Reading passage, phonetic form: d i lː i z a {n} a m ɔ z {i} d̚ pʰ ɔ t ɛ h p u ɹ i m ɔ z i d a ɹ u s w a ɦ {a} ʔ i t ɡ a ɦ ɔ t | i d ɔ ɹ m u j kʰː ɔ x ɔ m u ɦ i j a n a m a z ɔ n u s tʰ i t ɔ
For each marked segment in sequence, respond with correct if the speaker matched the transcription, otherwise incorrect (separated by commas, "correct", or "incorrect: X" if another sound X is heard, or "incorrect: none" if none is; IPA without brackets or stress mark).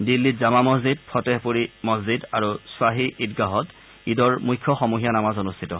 incorrect: m, correct, incorrect: i